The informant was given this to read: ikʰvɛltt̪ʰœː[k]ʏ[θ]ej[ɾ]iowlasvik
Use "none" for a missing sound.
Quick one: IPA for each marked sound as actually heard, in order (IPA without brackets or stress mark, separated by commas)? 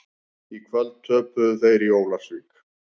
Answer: p, θ, ɾ